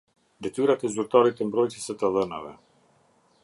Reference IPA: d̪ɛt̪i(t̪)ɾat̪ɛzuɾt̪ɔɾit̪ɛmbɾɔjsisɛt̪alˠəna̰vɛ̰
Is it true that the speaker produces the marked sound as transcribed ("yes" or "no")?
no